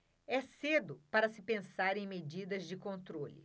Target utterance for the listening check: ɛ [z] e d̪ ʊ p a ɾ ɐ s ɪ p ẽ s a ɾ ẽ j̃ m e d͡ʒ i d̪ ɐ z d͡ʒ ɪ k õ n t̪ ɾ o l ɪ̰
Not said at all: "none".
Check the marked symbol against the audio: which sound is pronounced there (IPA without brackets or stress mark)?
s